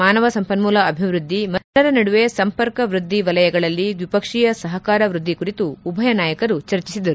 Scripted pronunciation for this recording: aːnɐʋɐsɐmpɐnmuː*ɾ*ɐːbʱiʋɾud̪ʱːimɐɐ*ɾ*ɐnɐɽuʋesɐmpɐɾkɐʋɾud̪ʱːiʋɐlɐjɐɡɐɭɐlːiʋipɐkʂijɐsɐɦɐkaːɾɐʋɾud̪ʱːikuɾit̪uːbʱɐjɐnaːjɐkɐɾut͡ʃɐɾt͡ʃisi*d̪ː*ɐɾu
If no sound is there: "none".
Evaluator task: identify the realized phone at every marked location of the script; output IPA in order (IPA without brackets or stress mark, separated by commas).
l, ɾ, d̪